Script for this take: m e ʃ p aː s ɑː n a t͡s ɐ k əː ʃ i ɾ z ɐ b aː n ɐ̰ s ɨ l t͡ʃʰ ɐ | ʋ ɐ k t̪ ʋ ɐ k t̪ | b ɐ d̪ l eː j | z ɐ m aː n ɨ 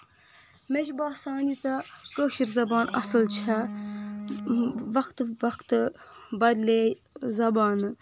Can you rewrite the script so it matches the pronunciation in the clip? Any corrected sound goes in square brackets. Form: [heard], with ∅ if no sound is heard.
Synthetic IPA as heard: m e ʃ [b] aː s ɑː n [i] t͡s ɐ k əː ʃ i ɾ z ɐ b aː n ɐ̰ s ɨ l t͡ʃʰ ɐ | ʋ ɐ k t̪ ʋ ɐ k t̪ | b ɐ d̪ l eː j | z ɐ [b] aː n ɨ